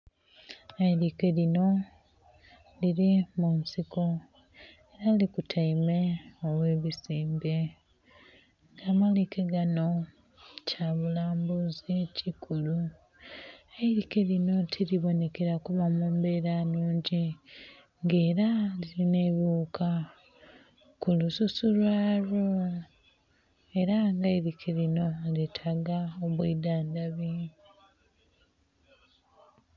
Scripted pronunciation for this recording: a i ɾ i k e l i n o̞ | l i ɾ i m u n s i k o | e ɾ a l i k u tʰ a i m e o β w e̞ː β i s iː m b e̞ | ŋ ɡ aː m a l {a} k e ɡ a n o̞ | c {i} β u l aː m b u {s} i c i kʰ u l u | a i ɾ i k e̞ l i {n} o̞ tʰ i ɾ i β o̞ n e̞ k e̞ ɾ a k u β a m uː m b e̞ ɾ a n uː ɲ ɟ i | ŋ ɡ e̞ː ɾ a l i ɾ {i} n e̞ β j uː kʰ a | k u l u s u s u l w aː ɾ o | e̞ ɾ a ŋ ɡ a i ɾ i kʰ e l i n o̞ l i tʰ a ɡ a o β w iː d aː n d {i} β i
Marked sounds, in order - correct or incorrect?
incorrect, incorrect, incorrect, correct, correct, incorrect

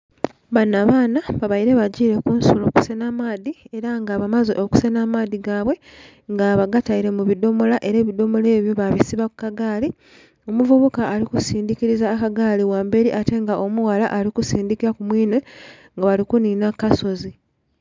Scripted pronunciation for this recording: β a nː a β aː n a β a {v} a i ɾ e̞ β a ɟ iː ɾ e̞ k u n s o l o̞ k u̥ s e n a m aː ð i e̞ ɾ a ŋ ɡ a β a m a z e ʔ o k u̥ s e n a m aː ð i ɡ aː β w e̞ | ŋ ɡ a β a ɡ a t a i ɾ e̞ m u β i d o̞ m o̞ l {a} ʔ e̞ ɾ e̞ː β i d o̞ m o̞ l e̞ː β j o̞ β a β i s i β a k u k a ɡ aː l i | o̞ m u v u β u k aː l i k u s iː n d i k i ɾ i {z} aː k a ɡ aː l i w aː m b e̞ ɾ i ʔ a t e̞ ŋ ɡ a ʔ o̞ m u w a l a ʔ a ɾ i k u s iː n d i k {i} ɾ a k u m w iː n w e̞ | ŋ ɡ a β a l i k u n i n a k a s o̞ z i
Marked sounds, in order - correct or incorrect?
incorrect, correct, correct, correct

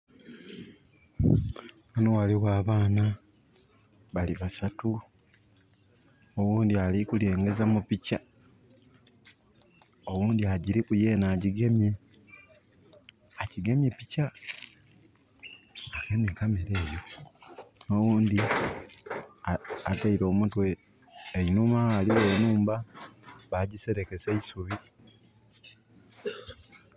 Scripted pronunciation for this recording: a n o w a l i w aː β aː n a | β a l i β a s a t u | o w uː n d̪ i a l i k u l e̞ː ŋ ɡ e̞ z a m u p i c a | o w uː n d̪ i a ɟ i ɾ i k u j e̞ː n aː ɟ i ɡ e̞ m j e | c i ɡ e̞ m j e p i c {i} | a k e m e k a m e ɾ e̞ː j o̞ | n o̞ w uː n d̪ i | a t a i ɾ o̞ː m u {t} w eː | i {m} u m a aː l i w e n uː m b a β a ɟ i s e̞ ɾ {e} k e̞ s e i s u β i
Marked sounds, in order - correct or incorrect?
incorrect, correct, incorrect, correct

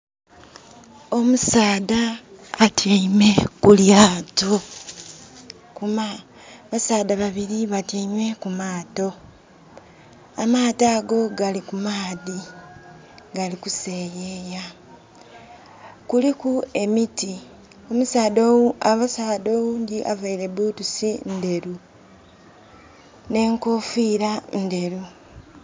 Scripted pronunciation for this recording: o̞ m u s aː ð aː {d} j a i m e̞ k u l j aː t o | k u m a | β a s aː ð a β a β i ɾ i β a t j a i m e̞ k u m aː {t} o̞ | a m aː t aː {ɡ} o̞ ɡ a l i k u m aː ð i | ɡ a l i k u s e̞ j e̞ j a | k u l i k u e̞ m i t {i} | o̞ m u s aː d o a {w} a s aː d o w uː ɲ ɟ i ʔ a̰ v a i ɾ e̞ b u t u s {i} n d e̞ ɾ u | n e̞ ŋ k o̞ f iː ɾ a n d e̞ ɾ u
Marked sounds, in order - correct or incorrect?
incorrect, correct, correct, correct, incorrect, correct

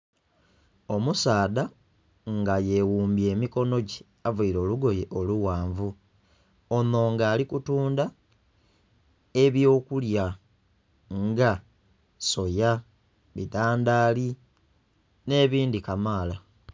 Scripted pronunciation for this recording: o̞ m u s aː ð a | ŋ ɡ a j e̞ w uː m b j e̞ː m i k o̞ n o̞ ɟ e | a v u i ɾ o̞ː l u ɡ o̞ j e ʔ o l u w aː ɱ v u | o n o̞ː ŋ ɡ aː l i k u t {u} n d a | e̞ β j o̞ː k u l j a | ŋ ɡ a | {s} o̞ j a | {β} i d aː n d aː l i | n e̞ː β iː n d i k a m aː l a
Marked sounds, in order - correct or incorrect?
incorrect, correct, correct

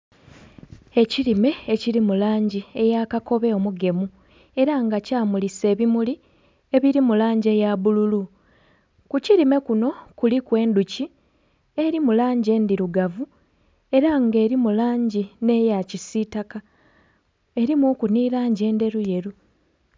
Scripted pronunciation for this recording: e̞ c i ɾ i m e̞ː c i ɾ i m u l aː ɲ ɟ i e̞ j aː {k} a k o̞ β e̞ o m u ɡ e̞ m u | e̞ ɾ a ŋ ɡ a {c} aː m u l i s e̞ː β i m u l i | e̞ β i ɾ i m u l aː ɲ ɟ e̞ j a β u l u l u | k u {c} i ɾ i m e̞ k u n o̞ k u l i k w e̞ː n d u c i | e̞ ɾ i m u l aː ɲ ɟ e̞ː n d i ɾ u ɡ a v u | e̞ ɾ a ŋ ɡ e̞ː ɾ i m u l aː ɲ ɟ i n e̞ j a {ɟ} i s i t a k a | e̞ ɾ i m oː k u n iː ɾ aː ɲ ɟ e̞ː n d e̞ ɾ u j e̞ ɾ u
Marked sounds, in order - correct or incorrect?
correct, correct, correct, incorrect

